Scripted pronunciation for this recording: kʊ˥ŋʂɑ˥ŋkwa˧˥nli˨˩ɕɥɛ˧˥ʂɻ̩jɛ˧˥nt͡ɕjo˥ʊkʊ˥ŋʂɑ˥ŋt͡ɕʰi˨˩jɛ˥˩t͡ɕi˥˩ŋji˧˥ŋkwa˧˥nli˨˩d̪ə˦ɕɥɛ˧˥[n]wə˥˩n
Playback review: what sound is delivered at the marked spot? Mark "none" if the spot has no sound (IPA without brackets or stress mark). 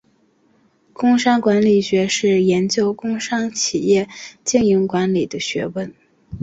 none